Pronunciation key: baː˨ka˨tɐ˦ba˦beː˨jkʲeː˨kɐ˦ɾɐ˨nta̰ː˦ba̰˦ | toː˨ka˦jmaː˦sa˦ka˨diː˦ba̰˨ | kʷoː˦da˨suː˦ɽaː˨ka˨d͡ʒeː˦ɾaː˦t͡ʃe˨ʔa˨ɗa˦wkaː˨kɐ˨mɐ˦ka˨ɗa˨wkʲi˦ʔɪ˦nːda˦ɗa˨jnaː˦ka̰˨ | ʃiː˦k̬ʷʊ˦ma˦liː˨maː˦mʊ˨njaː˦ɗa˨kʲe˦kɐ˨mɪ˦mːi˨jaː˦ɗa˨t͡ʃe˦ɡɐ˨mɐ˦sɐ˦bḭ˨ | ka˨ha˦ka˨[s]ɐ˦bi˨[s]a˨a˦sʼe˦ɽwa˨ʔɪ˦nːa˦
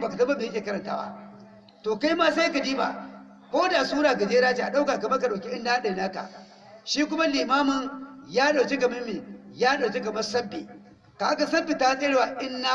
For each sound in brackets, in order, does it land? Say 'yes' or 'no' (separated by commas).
yes, no